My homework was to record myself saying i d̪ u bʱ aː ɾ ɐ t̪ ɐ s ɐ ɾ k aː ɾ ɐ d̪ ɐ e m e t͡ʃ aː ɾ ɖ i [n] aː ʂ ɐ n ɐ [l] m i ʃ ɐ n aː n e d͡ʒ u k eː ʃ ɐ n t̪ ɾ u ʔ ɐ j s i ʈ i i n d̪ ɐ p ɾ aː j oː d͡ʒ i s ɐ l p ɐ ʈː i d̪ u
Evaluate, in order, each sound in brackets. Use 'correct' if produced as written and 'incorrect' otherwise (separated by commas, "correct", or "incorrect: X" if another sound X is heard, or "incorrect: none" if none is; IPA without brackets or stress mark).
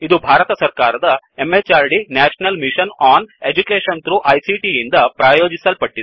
correct, correct